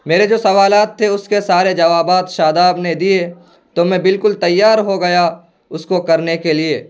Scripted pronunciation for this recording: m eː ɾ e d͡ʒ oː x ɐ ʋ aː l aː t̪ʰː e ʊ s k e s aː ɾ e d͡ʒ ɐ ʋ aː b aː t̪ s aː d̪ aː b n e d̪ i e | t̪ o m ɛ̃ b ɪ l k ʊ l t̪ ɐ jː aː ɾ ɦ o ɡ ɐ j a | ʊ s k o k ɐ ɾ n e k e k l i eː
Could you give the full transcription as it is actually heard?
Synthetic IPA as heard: m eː ɾ e d͡ʒ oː s ɐ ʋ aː l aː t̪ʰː e ʊ s k e s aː ɾ e d͡ʒ ɐ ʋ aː b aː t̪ ʃ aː d̪ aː b n e d̪ i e | t̪ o m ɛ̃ b ɪ l k ʊ l t̪ ɐ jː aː ɾ ɦ o ɡ ɐ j a | ʊ s k o k ɐ ɾ n e k e l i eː